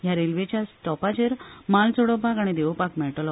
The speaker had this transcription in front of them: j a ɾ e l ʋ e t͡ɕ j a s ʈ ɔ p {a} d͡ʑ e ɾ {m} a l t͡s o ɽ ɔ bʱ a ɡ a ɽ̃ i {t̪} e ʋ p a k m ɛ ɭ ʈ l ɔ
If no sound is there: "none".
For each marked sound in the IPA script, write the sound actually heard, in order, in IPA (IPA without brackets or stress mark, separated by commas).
a, m, d̪